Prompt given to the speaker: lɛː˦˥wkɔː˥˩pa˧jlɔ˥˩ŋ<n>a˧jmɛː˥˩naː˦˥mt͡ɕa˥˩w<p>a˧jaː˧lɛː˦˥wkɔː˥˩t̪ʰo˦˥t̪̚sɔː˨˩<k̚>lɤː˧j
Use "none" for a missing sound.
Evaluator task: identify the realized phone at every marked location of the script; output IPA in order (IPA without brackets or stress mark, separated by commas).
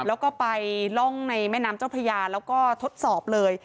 n, pʰ, p̚